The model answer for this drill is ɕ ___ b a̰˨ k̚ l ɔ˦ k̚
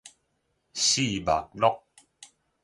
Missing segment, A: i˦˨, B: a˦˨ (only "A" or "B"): A